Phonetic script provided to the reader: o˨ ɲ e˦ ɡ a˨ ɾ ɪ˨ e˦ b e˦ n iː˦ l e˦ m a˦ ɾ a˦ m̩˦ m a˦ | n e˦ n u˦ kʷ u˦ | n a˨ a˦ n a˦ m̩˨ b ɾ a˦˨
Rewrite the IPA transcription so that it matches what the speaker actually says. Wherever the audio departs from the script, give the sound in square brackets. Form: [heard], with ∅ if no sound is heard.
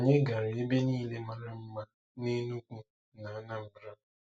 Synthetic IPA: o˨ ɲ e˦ ɡ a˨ ɾ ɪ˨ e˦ b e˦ n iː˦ l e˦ m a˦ ɾ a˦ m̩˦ m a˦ | n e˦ n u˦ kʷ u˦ | n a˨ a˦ n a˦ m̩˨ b ɾ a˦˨